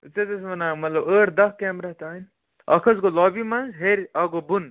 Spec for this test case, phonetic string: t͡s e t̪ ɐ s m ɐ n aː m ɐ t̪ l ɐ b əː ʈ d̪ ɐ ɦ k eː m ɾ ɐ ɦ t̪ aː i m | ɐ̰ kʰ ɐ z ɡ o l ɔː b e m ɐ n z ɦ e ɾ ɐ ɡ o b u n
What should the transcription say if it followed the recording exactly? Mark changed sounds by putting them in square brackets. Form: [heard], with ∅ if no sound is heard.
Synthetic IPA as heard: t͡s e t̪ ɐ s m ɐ n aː m ɐ t̪ l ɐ b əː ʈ d̪ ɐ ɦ k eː m ɾ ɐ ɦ t̪ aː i [n] | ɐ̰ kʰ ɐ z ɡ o l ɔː b [i] m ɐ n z ɦ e ɾ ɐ ɡ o b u n